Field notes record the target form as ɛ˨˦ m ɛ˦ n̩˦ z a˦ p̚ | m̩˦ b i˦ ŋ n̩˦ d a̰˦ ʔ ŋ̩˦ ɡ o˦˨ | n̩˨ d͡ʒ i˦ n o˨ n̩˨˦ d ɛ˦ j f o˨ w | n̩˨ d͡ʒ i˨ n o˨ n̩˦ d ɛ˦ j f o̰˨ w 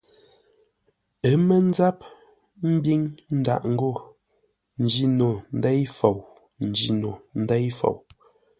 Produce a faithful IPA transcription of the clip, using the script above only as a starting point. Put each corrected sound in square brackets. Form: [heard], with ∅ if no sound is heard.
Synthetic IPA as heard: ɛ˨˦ m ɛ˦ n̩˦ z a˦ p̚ | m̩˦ b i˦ ŋ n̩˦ d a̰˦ ʔ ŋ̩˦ ɡ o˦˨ | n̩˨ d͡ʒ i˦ n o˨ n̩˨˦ d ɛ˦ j f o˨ w | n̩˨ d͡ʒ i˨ n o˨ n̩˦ d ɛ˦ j f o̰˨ w

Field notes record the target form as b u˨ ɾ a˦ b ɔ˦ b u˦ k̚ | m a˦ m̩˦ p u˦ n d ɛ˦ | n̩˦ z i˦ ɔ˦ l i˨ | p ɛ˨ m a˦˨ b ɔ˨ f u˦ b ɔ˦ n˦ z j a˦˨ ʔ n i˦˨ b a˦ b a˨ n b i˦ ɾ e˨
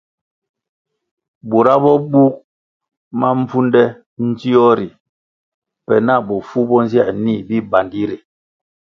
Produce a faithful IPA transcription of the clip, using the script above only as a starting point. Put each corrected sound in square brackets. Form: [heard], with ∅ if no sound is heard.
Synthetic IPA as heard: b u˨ ɾ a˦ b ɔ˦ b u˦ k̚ | m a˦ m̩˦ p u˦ n d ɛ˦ | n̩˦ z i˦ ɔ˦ [ɾ] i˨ | p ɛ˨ [n] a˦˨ b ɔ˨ f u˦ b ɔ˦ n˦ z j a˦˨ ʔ n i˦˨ b [i˦] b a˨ n [d] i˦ ɾ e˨

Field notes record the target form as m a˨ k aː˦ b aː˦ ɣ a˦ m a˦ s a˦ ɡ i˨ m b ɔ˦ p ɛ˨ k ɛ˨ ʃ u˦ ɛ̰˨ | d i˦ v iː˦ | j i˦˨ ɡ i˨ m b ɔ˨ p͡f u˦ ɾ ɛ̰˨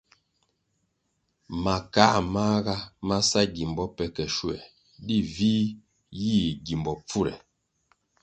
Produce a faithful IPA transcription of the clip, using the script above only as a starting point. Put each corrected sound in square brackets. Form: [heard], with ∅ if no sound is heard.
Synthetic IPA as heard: m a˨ k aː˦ [m] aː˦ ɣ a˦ m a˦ s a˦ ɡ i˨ m b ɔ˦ p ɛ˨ k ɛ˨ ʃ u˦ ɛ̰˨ | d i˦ v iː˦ | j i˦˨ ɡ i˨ m b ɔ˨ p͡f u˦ ɾ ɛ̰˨

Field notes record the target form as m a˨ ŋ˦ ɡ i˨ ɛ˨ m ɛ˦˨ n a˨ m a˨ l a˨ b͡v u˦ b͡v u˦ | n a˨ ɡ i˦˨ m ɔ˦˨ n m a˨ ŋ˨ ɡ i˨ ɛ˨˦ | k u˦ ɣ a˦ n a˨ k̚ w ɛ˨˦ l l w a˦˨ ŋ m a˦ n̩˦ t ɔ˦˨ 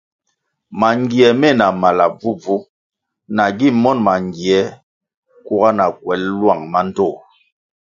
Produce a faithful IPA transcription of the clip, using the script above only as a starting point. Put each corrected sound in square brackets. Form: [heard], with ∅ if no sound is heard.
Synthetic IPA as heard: m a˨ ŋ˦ ɡ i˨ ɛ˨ m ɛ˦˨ n a˨ m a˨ l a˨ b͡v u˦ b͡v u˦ | n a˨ ɡ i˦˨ m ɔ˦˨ n m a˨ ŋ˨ ɡ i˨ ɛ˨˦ | k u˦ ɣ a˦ n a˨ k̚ w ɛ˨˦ l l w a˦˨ ŋ m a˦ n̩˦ t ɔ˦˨

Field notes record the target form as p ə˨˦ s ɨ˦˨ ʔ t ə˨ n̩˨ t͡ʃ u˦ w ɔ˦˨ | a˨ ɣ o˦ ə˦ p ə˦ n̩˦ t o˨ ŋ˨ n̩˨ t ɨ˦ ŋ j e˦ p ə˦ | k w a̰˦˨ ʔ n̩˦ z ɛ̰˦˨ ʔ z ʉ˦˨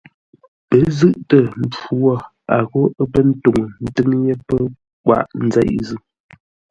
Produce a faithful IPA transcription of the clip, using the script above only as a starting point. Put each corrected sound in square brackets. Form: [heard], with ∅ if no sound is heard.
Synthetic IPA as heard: p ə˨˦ [z] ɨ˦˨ ʔ t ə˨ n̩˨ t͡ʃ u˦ w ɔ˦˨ | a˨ ɣ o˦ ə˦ p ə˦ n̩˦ t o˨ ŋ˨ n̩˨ t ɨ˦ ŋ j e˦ p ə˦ | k w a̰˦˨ ʔ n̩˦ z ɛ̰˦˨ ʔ z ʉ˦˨

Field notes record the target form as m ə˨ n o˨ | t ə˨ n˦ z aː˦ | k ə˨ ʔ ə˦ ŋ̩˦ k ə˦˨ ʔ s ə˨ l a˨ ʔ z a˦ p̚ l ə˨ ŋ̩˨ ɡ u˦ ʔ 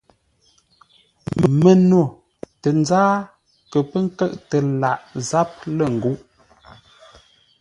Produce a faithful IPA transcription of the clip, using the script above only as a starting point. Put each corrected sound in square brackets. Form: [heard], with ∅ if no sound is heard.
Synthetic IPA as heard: m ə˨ n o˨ | t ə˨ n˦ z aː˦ | k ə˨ [p] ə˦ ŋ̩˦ k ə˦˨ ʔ [t] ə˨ l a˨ ʔ z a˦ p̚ l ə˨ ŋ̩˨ ɡ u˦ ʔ

